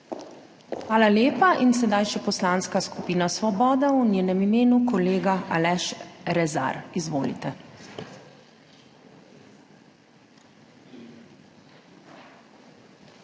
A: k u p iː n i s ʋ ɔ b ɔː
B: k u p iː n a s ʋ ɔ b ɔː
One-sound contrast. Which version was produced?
B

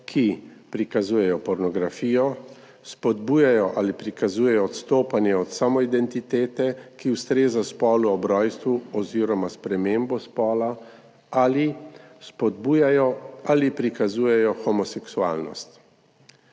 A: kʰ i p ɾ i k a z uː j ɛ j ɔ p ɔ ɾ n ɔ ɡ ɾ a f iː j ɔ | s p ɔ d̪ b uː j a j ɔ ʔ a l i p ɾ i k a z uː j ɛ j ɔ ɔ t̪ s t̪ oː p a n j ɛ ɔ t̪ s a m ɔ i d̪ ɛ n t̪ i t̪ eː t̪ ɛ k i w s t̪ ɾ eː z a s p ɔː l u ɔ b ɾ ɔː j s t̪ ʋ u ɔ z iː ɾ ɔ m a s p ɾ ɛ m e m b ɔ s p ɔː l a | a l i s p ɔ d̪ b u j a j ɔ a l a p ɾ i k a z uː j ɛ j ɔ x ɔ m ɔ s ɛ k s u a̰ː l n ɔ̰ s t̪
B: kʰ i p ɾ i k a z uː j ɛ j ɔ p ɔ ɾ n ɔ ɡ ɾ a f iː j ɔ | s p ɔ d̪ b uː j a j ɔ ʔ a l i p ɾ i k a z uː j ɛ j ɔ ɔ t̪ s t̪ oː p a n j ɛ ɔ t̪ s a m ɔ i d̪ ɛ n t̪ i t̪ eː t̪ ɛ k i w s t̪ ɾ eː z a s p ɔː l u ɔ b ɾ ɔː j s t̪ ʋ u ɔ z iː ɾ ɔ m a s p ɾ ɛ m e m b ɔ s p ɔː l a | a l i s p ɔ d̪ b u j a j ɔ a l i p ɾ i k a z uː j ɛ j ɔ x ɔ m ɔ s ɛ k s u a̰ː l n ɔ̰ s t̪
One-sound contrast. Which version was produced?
B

